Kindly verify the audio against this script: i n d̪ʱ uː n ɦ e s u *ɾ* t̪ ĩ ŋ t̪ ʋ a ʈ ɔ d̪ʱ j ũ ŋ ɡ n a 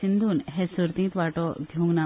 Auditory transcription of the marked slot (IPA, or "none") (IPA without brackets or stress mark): ɾ